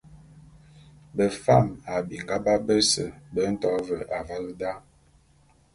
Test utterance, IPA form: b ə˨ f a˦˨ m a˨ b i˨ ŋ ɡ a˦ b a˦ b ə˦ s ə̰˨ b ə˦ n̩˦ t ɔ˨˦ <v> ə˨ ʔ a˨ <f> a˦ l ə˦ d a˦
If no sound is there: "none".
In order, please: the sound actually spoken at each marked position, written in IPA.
v, v

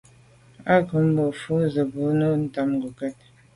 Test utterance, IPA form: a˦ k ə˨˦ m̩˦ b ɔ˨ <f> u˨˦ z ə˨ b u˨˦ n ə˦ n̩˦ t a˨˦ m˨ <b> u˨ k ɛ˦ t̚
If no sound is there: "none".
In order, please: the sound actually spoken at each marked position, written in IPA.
f, ɡ

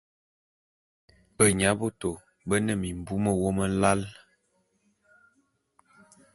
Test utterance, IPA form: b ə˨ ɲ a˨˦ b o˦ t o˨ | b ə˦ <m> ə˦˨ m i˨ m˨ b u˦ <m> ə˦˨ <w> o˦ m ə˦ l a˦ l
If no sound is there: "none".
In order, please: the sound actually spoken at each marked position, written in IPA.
n, m, w

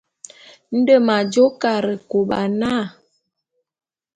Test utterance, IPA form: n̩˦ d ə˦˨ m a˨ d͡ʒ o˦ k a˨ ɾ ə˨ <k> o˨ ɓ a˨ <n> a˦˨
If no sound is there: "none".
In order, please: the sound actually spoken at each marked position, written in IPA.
k, n

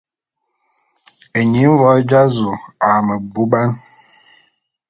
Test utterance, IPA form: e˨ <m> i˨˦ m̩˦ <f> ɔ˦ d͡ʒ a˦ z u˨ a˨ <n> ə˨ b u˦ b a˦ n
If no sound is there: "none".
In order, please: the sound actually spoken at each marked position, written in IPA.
ɲ, v, m

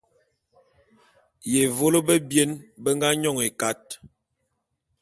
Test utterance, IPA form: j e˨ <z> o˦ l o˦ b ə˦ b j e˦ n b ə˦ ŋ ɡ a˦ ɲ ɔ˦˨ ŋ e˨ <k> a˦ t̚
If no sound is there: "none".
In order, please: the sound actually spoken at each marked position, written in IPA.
v, k

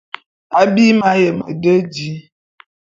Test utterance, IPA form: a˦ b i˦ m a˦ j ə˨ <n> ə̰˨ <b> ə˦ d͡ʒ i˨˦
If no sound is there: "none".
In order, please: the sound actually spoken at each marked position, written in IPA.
m, d

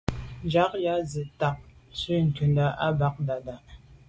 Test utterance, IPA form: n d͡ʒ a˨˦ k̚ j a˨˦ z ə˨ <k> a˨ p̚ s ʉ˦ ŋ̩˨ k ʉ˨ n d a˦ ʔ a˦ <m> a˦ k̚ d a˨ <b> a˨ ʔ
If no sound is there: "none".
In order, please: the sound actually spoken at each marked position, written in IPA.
t, b, d

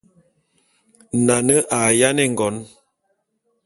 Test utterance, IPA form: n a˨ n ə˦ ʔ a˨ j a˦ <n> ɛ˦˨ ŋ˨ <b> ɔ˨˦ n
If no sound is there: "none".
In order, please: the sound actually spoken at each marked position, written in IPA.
n, ɡ

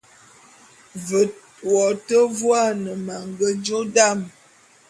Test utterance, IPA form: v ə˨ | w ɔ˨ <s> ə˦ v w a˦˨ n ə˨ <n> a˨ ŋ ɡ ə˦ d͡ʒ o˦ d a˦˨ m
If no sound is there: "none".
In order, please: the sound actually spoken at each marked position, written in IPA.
t, m

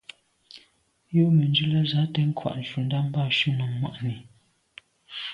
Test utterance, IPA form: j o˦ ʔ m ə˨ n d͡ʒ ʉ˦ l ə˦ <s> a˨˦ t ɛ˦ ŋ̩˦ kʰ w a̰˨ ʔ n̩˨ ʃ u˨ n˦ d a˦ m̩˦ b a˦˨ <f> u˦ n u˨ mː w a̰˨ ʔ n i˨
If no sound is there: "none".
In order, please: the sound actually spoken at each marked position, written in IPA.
z, ʃ

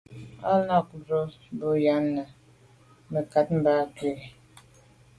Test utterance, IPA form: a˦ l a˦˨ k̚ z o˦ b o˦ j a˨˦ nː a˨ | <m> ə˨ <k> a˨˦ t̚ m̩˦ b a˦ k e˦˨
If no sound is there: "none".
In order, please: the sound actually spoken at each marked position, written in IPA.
m, k

